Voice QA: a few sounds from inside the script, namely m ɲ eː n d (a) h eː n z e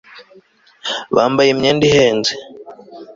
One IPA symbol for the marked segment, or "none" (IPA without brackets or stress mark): i